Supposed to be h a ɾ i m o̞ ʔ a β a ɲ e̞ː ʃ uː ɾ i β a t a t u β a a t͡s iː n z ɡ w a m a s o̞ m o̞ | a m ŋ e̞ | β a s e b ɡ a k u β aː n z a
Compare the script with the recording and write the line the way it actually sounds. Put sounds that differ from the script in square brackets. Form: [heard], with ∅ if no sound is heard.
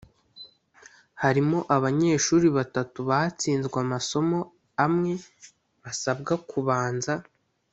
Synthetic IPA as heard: h a ɾ i m o̞ ʔ a β a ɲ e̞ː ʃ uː ɾ i β a t a t u β a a t͡s iː n z ɡ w a m a s o̞ m o̞ | a m ŋ e̞ | β a s [a] b ɡ a k u β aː n z a